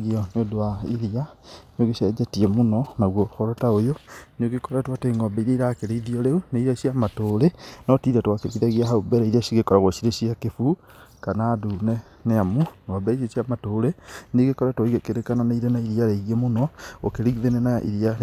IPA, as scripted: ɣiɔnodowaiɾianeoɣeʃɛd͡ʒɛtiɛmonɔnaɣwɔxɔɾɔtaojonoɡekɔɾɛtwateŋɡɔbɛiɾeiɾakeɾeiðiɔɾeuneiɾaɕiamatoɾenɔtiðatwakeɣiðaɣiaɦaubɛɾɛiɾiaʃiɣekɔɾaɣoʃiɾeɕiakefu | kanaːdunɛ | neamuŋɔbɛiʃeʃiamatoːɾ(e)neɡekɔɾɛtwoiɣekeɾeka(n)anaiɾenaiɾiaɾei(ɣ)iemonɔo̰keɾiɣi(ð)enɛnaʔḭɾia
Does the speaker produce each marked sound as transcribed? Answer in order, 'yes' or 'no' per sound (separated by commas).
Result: yes, yes, yes, yes